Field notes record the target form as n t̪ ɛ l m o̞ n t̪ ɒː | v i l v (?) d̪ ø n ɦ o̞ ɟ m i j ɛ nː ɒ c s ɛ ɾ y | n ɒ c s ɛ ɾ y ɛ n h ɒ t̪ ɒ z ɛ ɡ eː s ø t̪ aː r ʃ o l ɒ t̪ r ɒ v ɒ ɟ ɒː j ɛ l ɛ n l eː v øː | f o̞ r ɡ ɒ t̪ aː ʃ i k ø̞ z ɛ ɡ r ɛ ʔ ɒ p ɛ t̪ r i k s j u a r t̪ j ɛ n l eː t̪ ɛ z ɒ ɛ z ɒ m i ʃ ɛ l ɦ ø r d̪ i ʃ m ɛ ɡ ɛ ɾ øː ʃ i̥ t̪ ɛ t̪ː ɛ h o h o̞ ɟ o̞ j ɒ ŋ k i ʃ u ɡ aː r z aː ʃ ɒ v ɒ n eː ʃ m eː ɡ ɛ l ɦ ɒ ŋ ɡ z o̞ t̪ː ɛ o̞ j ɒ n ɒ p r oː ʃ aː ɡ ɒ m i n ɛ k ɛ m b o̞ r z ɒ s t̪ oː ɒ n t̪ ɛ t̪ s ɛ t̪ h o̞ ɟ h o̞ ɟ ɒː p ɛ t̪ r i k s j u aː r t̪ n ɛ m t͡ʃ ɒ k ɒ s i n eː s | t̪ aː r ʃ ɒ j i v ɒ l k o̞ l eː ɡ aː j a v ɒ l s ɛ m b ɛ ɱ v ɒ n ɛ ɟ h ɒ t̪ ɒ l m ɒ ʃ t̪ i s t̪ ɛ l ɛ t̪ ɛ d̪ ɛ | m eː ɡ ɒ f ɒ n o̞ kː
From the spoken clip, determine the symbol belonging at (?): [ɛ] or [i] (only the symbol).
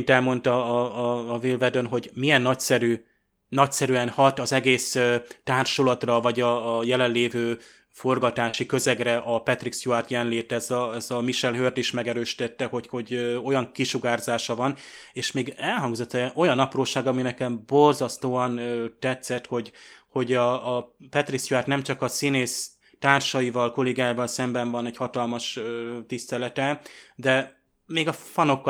ɛ